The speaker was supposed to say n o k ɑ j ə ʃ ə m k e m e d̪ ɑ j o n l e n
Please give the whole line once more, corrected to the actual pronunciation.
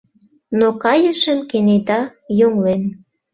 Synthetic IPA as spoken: n o k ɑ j ə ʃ ə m k e n e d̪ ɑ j o ŋ l e n